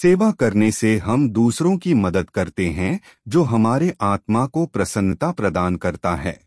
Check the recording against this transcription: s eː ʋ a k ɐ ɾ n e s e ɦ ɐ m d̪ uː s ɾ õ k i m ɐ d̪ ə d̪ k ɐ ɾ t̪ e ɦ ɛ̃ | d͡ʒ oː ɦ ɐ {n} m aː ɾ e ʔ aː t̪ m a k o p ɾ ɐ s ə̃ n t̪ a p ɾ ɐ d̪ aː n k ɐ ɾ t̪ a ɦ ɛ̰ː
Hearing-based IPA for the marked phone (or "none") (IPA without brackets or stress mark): none